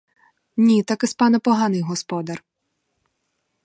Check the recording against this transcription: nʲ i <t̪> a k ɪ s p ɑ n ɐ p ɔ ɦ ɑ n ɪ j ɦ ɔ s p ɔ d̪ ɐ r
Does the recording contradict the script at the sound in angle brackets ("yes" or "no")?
no